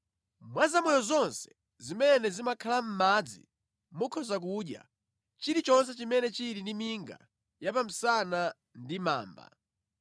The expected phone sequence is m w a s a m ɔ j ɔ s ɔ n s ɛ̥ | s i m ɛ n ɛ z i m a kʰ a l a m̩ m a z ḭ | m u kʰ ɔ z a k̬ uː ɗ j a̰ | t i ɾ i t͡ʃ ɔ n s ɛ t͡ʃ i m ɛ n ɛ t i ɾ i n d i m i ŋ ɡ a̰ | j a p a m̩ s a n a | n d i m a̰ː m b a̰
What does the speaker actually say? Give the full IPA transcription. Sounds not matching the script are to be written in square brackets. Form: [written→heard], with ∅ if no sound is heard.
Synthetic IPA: m w a [s→z] a m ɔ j ɔ [s→z] ɔ n s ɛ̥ | [s→z] i m ɛ n ɛ z i m a kʰ a l a m̩ m a [z→d͡z] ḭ | m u kʰ ɔ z a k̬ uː ɗ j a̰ | [t→t͡ʃ] i ɾ i t͡ʃ ɔ n s ɛ t͡ʃ i m ɛ n ɛ [t→t͡ʃ] i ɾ i n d i m i ŋ ɡ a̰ | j a p a m̩ s a n a | n d i m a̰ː m b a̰